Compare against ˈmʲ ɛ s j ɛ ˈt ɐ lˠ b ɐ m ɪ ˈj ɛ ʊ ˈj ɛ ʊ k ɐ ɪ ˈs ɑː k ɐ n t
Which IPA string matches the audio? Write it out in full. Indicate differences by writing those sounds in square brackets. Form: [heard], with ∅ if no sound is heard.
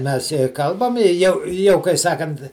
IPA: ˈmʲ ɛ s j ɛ [ˈk] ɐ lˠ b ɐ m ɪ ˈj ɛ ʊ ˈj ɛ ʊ k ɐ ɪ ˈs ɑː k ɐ n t